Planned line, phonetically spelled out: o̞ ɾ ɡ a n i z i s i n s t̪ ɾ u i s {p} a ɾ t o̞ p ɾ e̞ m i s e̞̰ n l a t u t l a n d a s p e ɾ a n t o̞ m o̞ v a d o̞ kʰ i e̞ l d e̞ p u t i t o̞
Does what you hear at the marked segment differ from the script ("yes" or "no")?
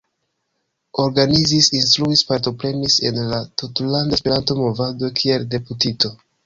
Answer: no